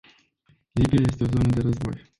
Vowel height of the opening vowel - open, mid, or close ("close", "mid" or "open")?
close